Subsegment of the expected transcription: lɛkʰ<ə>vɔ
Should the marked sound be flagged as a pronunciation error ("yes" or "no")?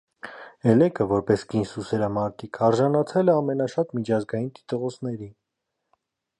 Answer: no